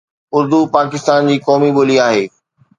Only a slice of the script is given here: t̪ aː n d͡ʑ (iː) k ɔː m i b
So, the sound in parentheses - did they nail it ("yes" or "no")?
yes